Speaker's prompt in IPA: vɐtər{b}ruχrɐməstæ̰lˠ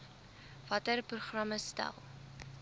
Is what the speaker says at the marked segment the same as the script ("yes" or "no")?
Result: no